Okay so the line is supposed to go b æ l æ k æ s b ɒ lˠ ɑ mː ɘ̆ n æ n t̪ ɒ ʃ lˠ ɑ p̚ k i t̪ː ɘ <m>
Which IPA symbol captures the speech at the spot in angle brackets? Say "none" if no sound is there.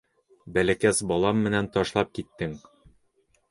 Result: ŋ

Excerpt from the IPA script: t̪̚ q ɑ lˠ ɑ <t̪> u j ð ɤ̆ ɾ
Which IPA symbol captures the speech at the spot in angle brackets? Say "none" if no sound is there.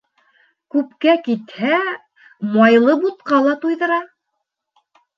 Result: t̪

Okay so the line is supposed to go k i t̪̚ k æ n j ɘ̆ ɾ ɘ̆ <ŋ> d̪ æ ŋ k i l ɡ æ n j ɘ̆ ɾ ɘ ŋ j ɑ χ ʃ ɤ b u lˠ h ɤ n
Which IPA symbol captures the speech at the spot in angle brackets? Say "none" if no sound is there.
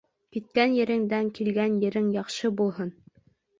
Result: ŋ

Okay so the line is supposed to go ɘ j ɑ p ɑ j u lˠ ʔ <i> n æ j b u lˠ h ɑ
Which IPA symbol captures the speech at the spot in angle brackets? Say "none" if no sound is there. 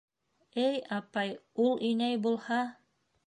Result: i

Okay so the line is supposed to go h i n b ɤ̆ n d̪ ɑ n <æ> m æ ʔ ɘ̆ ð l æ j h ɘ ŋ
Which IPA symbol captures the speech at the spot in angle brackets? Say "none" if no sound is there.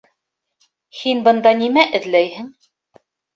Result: i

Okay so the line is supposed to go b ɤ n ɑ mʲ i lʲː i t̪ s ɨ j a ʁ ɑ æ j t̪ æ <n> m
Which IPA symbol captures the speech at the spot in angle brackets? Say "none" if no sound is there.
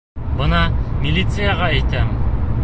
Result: none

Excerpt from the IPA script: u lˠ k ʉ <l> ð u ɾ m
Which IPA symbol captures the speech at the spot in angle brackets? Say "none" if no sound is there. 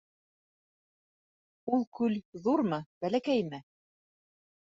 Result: l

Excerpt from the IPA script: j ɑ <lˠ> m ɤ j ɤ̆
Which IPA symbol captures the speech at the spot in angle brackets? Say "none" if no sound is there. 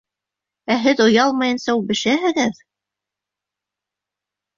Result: lˠ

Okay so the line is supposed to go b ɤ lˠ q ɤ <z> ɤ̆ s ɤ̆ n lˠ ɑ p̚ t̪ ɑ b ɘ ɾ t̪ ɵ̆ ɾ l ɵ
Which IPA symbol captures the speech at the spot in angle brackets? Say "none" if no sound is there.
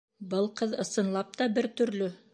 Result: ð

